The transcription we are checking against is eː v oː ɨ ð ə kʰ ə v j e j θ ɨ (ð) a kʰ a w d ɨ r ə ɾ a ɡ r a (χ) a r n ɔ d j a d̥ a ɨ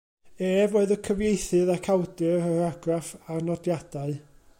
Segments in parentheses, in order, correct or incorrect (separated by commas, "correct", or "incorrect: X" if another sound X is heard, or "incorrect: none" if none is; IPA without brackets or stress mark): correct, incorrect: f